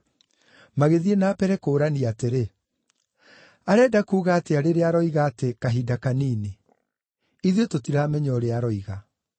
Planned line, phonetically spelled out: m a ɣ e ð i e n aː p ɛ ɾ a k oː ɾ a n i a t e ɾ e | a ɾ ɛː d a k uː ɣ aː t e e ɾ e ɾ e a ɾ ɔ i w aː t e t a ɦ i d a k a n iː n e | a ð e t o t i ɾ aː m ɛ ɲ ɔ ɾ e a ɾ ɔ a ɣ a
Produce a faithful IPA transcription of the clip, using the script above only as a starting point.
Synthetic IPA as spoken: m a ɣ e ð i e n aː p ɛ ɾ ɛ k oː ɾ a n i a t e ɾ e | a ɾ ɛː d a k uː ɣ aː t e a ɾ e ɾ e a ɾ ɔ i ɣ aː t e k a ɦ i d a k a n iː n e | i ð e t o t i ɾ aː m ɛ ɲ ɔ ɾ e a ɾ ɔ i ɣ a